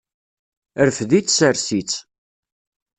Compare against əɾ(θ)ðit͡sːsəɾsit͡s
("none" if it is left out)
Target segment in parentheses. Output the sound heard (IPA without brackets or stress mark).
f